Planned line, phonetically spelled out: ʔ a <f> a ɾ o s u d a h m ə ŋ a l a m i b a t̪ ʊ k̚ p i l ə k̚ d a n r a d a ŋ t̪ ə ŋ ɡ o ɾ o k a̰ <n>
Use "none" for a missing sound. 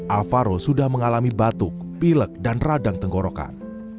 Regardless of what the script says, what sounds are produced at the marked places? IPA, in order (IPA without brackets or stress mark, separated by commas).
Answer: f, n